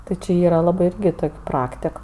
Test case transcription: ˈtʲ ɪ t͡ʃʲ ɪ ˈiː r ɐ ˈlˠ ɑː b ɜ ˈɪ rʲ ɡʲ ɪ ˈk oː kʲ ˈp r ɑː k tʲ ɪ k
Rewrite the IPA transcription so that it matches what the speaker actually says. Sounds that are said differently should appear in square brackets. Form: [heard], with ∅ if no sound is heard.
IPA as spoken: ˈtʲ ɪ t͡ʃʲ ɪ ˈiː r ɐ ˈlˠ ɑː b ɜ ˈɪ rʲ ɡʲ ɪ [ˈt] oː kʲ ˈp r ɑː k tʲ ɪ k